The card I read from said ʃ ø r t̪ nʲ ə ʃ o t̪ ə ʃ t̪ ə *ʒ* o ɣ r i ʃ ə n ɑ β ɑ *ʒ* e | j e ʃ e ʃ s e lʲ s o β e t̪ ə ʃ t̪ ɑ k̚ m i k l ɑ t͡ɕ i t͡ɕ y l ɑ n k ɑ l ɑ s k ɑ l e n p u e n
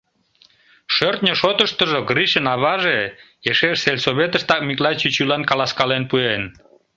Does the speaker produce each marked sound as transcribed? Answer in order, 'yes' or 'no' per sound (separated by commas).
yes, yes